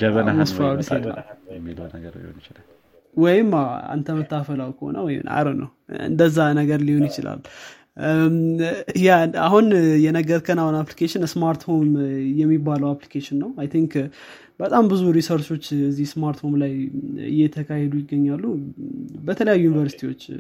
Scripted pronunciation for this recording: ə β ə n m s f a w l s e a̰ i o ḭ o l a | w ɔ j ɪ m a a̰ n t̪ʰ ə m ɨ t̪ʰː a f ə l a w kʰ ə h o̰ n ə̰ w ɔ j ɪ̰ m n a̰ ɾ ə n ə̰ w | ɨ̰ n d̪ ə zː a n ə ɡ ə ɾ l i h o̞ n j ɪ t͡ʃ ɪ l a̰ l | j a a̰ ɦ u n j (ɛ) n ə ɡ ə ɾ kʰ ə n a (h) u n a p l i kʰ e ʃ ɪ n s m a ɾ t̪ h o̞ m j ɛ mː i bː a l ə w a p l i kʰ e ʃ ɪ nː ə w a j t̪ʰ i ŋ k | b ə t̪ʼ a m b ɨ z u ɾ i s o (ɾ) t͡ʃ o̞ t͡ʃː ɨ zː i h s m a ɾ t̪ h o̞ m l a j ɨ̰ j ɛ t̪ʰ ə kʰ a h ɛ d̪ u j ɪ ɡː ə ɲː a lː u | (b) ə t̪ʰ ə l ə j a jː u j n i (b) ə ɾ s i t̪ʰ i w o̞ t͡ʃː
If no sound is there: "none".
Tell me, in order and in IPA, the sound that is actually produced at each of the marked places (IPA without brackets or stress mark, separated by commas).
ɛ, h, ɾ, b, v